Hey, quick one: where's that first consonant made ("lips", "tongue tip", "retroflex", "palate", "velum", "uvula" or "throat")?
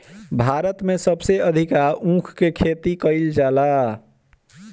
lips